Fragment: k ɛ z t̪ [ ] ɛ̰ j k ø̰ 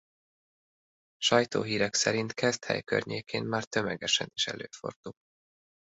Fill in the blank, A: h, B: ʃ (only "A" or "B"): A